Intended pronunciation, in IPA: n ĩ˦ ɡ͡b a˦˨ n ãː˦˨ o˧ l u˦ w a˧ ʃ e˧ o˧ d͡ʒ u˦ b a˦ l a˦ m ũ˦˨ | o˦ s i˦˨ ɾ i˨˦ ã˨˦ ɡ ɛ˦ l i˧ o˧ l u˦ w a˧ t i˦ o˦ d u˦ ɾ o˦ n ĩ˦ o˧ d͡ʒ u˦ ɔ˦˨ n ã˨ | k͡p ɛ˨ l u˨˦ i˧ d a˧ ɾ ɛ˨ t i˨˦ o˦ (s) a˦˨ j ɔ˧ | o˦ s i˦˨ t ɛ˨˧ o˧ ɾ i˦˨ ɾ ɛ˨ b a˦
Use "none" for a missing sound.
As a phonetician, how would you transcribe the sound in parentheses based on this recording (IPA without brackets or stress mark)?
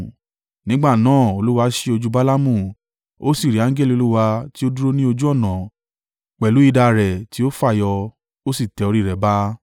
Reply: f